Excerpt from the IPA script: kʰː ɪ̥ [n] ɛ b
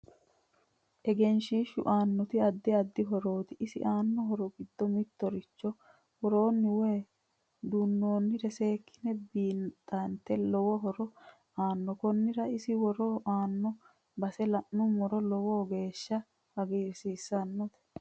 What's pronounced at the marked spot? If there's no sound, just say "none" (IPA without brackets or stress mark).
n